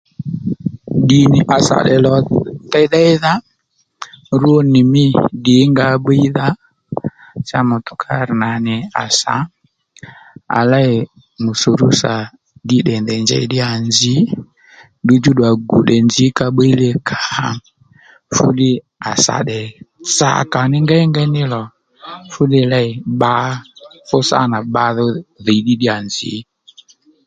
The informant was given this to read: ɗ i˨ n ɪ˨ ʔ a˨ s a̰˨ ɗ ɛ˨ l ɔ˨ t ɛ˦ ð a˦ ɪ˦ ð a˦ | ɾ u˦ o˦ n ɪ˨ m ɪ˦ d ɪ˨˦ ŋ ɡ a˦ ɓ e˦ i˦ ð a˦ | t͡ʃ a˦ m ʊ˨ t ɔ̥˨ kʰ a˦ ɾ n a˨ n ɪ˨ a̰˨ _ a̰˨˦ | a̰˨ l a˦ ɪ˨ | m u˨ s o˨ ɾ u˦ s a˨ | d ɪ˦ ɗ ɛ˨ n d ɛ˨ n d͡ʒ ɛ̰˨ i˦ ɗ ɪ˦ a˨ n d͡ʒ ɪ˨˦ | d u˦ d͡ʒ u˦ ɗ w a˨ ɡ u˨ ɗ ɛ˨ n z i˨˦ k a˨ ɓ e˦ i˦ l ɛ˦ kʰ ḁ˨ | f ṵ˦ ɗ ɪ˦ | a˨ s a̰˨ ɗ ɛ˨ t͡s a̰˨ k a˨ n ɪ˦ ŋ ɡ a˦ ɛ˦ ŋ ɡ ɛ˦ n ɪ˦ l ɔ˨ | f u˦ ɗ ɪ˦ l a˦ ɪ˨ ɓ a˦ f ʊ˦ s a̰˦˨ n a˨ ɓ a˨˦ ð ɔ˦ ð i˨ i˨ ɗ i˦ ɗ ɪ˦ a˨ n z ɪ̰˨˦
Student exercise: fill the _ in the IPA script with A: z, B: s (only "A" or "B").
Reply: B